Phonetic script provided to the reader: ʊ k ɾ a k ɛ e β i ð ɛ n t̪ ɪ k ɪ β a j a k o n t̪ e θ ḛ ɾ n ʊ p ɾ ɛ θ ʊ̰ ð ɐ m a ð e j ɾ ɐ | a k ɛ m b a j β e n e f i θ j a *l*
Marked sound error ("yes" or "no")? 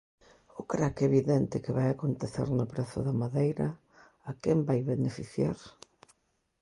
yes